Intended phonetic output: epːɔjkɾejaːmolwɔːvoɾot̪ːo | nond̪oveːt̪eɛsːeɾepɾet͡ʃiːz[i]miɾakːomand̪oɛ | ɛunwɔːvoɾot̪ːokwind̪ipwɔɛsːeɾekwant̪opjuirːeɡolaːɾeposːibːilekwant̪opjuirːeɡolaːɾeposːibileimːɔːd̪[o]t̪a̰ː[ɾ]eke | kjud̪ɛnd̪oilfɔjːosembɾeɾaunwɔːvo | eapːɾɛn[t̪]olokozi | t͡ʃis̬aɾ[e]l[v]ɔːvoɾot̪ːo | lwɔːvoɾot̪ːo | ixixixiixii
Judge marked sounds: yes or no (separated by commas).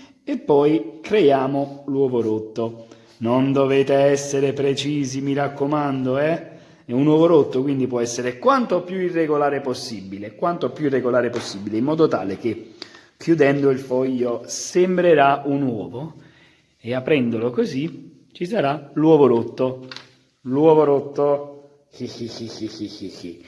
yes, yes, no, no, no, no